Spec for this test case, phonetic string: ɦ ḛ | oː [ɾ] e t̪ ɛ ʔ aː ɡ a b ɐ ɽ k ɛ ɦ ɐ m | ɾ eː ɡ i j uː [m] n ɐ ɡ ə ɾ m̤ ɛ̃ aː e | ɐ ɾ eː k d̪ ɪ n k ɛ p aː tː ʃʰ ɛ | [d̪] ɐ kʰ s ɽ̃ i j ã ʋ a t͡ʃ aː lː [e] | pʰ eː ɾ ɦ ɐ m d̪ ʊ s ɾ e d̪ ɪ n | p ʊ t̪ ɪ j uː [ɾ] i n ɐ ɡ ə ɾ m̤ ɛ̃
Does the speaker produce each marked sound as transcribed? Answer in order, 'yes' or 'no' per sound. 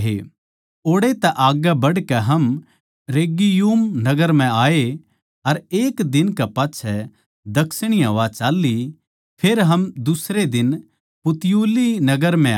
no, yes, yes, no, no

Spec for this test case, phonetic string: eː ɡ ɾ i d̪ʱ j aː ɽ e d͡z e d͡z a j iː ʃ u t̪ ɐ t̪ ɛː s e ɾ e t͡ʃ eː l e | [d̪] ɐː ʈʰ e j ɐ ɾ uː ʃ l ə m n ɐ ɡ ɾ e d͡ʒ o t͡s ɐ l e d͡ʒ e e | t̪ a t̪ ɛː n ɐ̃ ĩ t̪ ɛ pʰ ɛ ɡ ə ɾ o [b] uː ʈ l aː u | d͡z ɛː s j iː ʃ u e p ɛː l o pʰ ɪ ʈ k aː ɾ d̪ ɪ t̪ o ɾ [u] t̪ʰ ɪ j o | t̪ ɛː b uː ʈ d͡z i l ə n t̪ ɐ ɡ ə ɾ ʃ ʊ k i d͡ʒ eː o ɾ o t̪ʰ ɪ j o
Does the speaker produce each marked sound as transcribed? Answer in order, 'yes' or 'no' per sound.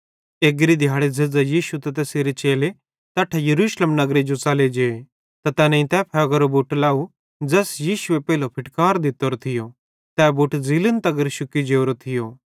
no, yes, no

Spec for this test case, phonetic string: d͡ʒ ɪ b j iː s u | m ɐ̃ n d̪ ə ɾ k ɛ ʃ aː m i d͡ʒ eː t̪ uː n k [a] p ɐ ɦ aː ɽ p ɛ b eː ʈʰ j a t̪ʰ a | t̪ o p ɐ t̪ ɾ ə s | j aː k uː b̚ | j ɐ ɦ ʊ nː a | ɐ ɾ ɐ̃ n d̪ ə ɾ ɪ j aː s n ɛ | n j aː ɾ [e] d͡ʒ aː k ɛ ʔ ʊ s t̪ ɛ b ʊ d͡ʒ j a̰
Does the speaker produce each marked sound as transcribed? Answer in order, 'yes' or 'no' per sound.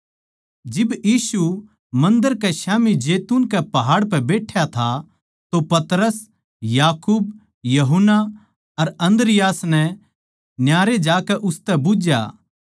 no, yes

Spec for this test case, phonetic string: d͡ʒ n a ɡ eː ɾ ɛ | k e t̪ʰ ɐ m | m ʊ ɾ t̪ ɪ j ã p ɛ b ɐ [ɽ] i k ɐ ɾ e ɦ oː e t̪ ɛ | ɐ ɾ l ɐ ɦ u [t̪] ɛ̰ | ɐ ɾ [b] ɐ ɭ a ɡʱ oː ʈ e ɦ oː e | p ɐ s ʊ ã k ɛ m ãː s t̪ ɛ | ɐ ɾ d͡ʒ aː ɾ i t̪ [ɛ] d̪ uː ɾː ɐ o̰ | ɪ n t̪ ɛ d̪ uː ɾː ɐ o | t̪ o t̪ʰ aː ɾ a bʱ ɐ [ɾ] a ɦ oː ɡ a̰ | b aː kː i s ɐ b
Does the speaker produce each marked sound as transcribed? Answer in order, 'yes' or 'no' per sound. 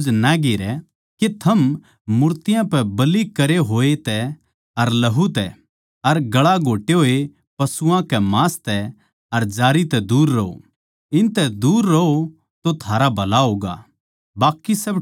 no, yes, no, yes, no

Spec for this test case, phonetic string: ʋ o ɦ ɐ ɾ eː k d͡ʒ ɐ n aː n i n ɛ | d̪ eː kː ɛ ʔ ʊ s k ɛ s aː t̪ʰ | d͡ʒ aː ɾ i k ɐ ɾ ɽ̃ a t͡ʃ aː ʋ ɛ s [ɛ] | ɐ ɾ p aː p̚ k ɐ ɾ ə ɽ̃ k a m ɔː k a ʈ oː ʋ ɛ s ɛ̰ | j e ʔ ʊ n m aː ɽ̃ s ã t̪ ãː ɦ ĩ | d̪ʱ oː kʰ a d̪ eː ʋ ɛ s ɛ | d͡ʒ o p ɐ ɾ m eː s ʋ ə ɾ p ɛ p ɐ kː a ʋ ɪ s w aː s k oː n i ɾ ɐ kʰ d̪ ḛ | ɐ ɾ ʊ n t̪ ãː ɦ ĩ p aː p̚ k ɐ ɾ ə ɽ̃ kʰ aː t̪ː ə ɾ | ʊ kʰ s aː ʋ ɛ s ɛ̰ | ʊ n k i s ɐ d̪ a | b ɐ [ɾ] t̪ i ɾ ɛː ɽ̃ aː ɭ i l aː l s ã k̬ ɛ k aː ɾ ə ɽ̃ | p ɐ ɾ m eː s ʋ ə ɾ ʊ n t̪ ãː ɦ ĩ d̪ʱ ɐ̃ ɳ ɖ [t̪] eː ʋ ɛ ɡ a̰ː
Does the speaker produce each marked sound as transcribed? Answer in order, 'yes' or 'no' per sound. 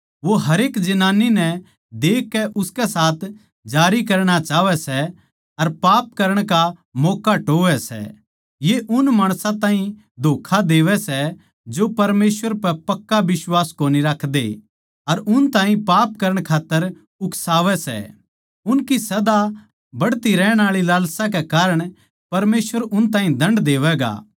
yes, no, no

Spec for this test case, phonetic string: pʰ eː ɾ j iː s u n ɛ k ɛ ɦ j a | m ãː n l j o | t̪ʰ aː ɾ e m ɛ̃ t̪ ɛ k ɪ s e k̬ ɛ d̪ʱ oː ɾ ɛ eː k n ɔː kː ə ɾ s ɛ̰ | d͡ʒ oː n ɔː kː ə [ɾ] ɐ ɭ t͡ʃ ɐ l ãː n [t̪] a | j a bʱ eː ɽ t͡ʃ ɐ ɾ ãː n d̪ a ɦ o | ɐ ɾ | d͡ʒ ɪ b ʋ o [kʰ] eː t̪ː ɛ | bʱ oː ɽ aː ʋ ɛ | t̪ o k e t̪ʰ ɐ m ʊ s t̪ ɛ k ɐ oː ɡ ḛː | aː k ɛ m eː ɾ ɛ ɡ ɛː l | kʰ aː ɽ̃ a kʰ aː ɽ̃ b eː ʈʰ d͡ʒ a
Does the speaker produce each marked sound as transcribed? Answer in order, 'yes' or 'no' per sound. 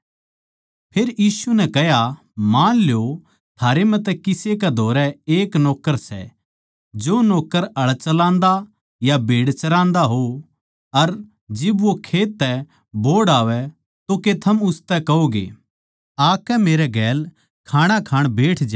yes, no, yes

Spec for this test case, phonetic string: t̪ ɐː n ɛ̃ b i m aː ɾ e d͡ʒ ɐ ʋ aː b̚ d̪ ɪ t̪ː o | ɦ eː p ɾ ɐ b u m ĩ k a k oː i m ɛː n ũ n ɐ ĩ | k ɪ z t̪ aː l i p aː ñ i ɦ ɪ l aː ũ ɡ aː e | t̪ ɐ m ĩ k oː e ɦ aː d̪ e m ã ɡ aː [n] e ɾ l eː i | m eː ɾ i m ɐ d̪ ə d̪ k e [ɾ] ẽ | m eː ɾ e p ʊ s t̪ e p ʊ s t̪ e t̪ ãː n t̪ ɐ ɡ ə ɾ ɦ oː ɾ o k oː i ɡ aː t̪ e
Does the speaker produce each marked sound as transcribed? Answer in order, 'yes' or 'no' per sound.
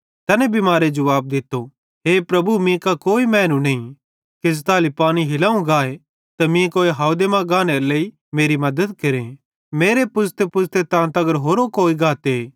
yes, yes

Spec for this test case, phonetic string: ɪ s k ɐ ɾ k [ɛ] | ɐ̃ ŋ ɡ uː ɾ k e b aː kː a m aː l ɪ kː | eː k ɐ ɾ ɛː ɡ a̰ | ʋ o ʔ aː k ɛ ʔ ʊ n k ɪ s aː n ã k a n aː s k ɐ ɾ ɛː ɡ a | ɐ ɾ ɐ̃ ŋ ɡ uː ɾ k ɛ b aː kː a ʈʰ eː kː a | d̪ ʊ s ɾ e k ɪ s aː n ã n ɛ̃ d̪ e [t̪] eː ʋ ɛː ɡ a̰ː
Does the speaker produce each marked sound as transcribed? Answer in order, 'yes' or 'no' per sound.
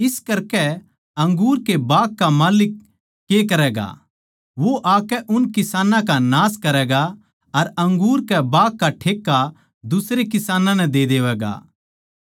yes, no

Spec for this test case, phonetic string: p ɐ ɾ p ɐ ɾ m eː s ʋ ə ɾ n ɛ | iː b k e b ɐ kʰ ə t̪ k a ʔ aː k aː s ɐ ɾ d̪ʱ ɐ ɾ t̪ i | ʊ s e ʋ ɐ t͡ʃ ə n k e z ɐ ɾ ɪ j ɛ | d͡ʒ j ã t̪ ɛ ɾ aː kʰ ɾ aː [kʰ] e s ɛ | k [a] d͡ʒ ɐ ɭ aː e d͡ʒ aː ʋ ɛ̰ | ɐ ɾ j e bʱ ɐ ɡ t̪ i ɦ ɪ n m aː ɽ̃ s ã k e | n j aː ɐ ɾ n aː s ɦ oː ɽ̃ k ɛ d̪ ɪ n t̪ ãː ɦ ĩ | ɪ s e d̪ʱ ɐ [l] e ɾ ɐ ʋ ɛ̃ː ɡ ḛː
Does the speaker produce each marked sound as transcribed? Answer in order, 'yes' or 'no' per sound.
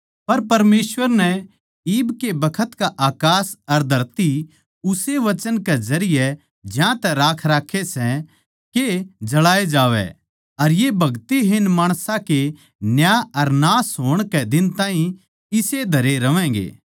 yes, no, no

